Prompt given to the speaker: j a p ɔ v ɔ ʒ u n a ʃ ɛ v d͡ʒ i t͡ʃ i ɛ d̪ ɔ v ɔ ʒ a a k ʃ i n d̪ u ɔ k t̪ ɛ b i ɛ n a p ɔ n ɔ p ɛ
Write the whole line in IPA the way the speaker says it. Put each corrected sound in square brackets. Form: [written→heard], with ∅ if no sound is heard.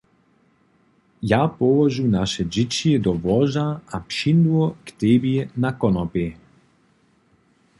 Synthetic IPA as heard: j a p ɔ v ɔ ʒ u n a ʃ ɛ [v→∅] d͡ʒ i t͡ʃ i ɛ d̪ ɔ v ɔ ʒ a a [k→p] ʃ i n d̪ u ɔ k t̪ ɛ b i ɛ n a [p→k] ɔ n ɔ p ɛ